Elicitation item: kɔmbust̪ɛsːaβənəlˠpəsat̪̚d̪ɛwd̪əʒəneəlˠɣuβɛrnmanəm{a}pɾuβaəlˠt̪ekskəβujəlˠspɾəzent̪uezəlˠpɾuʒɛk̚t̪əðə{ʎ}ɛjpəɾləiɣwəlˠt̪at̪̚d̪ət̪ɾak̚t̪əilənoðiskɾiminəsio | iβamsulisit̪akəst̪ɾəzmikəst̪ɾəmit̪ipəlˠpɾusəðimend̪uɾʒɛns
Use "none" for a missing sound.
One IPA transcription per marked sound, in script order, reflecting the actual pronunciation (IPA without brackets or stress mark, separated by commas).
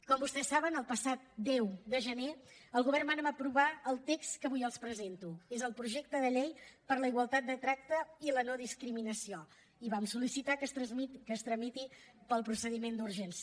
ə, ʎ